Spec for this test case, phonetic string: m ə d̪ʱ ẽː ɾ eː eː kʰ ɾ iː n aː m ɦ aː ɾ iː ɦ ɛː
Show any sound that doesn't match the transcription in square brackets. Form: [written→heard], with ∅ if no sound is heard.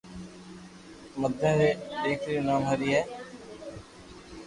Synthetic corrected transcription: m ə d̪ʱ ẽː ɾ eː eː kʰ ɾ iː n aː m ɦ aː ɾ iː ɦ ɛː